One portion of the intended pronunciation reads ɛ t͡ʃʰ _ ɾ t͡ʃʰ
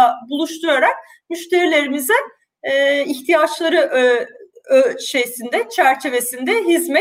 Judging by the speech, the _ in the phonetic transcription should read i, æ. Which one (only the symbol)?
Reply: æ